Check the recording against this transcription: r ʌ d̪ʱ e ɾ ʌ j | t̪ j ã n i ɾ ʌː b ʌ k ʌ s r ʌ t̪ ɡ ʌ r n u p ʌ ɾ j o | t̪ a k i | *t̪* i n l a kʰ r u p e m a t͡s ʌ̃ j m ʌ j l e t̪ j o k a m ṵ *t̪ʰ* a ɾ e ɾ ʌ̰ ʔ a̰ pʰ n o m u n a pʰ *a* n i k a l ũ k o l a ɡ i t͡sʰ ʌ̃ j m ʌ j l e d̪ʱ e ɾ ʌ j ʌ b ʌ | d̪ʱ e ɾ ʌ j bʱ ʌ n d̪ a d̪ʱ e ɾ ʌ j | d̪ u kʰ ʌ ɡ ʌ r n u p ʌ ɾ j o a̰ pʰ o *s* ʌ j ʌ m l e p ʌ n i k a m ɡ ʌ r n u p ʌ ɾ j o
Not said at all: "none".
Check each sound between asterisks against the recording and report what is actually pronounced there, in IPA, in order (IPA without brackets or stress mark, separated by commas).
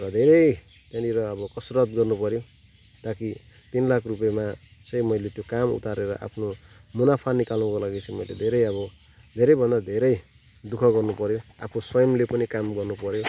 t̪, t̪, a, s